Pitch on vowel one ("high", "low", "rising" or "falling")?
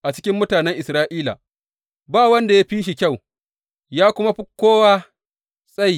low